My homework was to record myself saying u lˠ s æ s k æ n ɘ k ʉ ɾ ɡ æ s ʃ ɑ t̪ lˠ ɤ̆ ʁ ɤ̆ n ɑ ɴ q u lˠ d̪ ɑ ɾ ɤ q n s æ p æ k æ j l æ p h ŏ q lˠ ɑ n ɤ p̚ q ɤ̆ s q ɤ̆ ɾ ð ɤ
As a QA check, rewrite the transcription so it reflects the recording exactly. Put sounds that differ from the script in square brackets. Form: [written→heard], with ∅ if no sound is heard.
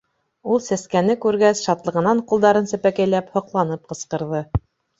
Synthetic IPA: u lˠ s æ s k æ n ɘ k ʉ ɾ ɡ æ s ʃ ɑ t̪ lˠ ɤ̆ ʁ ɤ̆ n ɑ ɴ q u lˠ d̪ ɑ ɾ ɤ [q→∅] n s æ p æ k æ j l æ p h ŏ q lˠ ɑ n ɤ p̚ q ɤ̆ s q ɤ̆ ɾ ð ɤ